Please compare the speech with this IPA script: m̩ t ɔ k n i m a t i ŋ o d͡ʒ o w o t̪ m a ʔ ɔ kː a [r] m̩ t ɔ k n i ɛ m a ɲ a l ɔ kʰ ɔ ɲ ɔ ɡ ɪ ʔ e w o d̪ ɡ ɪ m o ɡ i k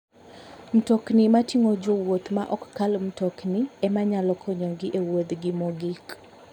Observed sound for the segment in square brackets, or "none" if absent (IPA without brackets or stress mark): l